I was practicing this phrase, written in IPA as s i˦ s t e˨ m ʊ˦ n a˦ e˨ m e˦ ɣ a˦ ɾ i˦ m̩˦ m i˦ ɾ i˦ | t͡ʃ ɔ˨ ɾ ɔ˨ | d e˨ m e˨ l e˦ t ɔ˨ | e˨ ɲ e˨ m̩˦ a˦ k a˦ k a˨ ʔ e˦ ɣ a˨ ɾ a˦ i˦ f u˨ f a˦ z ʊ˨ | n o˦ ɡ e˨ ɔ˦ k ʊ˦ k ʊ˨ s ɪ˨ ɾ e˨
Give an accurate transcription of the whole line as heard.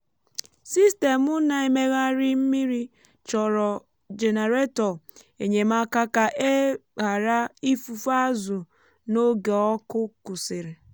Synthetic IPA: s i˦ s t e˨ m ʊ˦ n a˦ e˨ m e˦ ɣ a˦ ɾ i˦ m̩˦ m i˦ ɾ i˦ | t͡ʃ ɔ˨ ɾ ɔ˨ | d͡ʒ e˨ n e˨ ɾ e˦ t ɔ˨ | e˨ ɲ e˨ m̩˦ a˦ k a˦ k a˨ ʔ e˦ ɣ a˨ ɾ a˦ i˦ f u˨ f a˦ z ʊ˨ | n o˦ ɡ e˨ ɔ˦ k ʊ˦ k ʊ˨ s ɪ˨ ɾ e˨